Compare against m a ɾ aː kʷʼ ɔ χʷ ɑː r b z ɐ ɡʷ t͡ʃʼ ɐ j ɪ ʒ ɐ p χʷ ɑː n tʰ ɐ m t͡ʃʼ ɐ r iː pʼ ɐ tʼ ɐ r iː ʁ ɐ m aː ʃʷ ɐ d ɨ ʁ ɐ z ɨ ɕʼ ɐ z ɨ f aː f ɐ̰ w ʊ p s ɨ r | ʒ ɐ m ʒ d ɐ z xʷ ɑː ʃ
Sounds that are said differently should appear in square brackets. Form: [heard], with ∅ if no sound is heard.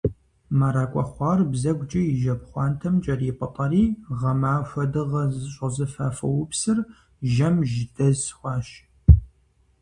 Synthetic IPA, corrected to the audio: m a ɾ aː kʷʼ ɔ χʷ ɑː r b z ɐ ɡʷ t͡ʃʼ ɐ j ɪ ʒ ɐ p χʷ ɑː n tʰ ɐ m t͡ʃʼ ɐ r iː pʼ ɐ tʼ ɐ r iː ʁ ɐ m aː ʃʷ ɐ d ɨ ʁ ɐ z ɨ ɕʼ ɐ z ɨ f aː f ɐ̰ w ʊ p s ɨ r | ʒ ɐ m ʒ d ɐ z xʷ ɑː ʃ

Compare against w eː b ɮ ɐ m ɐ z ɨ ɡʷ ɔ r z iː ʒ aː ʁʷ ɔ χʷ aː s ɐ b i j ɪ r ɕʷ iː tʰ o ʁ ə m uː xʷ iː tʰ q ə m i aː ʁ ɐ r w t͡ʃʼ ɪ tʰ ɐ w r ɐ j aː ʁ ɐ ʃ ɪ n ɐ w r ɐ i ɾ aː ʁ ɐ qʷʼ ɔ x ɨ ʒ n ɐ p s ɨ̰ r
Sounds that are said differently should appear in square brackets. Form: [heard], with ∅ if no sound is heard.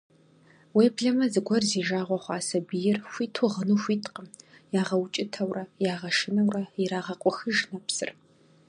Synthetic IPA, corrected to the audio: w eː b ɮ ɐ m ɐ z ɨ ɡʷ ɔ r z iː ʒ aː ʁʷ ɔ χʷ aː s ɐ b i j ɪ r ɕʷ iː tʰ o ʁ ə [n] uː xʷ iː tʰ q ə m [j] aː ʁ ɐ [∅] w t͡ʃʼ ɪ tʰ ɐ w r ɐ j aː ʁ ɐ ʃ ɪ n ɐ w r ɐ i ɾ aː ʁ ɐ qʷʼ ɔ x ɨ ʒ n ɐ p s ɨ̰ r

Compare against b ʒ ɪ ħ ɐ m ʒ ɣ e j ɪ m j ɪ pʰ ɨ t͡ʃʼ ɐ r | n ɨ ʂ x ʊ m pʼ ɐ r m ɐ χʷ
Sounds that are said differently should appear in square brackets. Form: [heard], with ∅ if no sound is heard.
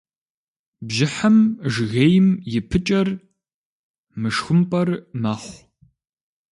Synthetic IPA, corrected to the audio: b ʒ ɪ ħ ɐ m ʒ ɣ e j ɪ m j ɪ pʰ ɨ t͡ʃʼ ɐ r | [m] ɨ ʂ x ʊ m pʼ ɐ r m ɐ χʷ

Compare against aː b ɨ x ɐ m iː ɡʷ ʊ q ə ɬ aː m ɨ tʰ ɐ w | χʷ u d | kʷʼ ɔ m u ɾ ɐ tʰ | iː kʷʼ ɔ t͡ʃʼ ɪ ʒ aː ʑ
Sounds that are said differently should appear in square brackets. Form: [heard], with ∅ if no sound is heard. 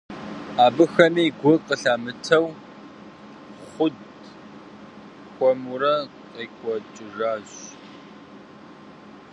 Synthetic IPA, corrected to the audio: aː b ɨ x ɐ m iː ɡʷ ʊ q ə ɬ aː m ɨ tʰ ɐ w | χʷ [ʊ] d | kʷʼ ɔ m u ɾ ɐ [∅] | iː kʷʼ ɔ t͡ʃʼ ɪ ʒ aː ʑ

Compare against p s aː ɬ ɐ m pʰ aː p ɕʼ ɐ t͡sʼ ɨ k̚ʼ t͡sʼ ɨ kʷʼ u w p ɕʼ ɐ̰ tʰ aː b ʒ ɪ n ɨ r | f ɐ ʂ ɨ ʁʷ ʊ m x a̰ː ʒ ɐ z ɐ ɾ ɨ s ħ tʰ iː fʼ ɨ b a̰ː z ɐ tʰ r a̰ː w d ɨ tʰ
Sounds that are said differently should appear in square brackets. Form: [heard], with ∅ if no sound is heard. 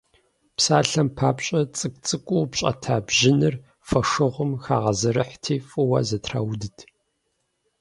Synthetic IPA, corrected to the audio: p s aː ɬ ɐ m pʰ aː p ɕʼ ɐ t͡sʼ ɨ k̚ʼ t͡sʼ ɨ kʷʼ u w p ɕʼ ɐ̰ tʰ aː b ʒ ɪ n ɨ r | f ɐ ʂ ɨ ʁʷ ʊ m x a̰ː [ʁ] ɐ z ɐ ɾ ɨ [∅] ħ tʰ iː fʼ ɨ [w] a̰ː z ɐ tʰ r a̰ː w d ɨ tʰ

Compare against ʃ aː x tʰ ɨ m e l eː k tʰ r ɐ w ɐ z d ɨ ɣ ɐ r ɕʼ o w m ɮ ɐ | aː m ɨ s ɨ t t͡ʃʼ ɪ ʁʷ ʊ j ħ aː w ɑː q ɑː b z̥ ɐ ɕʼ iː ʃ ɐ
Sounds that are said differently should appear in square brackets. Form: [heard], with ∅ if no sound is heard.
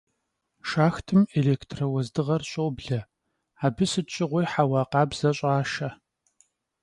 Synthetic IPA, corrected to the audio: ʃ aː x tʰ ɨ m e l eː k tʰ r ɐ w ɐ z d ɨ [ʁ] ɐ r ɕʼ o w [b] ɮ ɐ | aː [b] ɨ s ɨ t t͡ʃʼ ɪ ʁʷ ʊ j ħ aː w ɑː q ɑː b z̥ ɐ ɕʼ [aː] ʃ ɐ

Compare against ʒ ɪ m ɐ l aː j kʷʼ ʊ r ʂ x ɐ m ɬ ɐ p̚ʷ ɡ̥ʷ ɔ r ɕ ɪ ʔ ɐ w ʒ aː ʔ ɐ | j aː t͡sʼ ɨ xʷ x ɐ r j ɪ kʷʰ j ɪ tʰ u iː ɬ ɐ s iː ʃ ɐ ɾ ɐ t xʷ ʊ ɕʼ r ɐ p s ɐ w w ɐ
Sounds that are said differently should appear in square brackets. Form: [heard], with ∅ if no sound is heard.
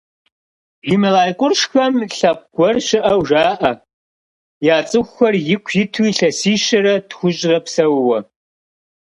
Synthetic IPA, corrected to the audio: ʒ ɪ m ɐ l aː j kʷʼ ʊ r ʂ x ɐ m ɬ ɐ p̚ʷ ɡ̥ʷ ɔ r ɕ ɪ ʔ ɐ w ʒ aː ʔ ɐ | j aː t͡sʼ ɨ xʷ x ɐ r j ɪ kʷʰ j ɪ tʰ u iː ɬ ɐ s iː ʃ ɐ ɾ ɐ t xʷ ʊ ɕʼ r ɐ p s ɐ w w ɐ

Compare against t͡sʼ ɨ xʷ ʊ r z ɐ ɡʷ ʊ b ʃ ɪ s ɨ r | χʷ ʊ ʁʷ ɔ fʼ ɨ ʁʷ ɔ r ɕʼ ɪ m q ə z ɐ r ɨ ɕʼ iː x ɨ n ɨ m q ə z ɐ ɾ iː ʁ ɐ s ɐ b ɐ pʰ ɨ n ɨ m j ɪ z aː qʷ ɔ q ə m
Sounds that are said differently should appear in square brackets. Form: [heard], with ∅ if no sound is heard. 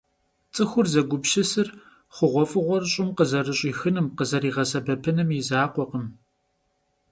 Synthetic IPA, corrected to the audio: t͡sʼ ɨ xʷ ʊ r z ɐ ɡʷ ʊ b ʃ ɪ s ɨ r | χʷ ʊ ʁʷ ɔ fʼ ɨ ʁʷ ɔ r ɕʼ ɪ m q ə z ɐ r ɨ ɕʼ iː x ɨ n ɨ m q ə z ɐ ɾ iː ʁ ɐ s ɐ b ɐ pʰ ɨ n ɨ m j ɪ z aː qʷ ɔ q ə m

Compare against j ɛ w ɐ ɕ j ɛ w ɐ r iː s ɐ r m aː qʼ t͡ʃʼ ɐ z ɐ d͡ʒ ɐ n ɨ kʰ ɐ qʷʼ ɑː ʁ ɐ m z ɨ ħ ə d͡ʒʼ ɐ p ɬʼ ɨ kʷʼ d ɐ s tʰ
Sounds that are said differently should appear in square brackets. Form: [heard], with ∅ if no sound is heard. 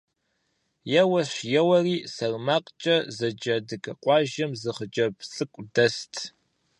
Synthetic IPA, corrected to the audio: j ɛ w ɐ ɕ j ɛ w ɐ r iː s ɐ r m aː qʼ t͡ʃʼ ɐ z ɐ d͡ʒ ɐ [d] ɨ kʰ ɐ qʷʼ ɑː [ʒ] ɐ m z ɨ [χ] ə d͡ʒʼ ɐ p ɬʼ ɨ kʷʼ d ɐ s tʰ

